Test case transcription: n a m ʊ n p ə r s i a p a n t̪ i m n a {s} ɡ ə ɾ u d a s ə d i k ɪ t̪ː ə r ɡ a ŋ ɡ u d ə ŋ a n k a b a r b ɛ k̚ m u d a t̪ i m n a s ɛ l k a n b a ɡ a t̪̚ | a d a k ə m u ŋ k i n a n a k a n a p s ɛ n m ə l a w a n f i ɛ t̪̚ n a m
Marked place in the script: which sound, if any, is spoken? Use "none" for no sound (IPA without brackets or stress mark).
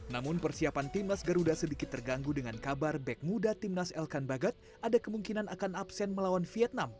s